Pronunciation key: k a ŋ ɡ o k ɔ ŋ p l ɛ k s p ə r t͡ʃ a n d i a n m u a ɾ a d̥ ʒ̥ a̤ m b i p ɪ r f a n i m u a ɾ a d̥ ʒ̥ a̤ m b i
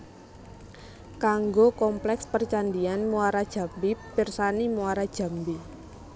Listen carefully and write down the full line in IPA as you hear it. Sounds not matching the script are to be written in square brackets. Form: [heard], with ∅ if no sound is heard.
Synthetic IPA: k a ŋ ɡ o k ɔ [m] p l ɛ k s p ə r t͡ʃ a n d i a n m u a ɾ a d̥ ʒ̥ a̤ m b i p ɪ r [s] a n i m u a ɾ a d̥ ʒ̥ a̤ m b i